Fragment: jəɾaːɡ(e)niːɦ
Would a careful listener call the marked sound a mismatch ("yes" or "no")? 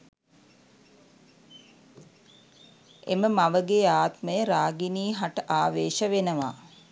yes